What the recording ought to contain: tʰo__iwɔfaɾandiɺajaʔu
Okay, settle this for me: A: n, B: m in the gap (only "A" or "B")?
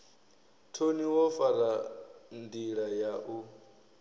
A